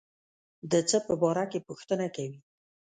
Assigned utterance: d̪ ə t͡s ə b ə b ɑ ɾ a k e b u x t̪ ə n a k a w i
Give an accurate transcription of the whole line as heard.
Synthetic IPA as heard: d̪ ə t͡s ə p ə b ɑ ɾ a k e p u x t̪ ə n a k a w i